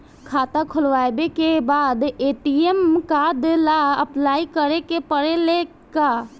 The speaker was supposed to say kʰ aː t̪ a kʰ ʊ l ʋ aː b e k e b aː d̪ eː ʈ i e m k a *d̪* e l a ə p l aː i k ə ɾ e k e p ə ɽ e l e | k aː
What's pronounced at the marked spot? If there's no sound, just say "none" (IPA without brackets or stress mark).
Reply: d̪